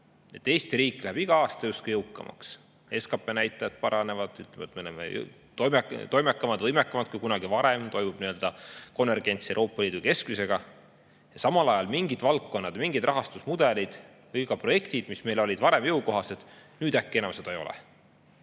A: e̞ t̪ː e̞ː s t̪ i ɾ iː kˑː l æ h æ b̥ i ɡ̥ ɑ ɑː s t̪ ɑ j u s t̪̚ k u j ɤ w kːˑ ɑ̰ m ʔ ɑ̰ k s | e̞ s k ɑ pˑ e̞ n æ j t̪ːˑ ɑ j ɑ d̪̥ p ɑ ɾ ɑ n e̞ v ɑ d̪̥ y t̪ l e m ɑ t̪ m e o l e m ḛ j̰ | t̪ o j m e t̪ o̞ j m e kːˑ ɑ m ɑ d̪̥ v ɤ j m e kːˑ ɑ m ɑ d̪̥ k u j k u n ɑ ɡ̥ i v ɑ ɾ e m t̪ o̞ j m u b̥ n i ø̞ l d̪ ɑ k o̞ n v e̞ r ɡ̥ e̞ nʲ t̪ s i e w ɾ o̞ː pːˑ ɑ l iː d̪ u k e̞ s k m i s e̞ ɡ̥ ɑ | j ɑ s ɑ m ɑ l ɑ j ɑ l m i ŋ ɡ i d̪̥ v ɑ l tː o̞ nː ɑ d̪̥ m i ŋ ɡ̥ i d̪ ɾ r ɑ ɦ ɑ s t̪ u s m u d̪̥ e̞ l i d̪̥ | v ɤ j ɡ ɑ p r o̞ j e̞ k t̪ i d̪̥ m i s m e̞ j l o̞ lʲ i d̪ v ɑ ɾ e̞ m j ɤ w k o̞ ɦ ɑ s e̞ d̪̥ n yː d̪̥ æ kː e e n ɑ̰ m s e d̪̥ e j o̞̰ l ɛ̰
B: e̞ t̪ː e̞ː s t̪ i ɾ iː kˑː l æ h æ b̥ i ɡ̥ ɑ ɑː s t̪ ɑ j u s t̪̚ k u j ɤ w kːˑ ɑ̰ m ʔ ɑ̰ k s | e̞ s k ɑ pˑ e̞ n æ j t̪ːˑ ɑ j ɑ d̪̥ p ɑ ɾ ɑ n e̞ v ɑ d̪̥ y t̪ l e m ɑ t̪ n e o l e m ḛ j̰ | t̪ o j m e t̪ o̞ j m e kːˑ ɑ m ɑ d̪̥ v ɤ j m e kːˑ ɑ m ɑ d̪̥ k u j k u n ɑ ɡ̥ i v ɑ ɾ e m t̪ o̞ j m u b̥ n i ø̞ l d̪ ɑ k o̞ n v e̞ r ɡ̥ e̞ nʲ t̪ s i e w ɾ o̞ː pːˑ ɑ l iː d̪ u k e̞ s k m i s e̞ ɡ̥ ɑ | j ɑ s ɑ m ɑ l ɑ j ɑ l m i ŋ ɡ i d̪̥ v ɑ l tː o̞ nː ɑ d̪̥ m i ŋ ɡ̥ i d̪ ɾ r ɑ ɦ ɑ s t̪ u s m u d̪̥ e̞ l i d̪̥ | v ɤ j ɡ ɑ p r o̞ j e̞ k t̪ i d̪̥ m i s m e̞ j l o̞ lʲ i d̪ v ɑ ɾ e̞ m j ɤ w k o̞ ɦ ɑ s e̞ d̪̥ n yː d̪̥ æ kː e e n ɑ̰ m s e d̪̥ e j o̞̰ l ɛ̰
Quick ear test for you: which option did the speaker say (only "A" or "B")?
A